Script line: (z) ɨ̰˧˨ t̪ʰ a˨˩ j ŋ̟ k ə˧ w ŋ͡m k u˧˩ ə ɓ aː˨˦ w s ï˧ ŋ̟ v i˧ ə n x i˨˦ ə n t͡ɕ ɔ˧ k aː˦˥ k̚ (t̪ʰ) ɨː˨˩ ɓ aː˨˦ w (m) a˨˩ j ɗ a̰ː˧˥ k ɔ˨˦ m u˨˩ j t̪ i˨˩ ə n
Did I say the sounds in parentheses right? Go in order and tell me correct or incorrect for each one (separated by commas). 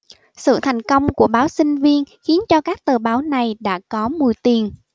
incorrect, incorrect, incorrect